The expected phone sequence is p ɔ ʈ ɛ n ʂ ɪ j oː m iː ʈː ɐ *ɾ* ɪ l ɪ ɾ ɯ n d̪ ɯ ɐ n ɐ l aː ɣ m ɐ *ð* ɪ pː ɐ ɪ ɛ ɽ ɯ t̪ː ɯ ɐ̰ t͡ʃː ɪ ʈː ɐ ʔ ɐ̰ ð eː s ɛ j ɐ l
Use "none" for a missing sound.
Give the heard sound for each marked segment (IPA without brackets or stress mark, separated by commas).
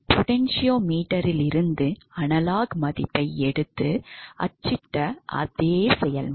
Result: ɾ, ð